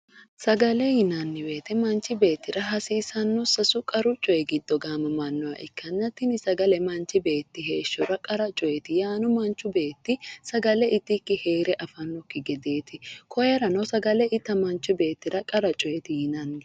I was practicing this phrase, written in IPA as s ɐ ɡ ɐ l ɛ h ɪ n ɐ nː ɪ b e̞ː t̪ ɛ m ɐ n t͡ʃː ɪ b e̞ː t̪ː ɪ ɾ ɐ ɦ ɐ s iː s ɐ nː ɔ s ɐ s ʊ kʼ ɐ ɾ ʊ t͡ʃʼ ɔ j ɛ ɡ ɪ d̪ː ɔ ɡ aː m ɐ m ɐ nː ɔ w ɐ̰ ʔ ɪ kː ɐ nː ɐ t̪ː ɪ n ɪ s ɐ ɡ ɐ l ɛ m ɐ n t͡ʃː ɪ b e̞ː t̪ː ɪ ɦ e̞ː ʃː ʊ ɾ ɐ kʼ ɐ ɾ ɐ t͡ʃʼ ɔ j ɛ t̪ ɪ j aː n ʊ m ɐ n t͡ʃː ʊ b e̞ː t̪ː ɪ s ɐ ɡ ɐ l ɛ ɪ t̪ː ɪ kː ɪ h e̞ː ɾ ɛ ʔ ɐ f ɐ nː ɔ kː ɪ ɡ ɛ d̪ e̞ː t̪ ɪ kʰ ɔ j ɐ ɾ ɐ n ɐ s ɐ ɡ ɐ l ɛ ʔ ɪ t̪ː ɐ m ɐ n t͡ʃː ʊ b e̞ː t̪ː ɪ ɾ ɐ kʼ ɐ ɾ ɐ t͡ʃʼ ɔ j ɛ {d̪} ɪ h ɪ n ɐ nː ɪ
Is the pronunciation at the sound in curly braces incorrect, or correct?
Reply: incorrect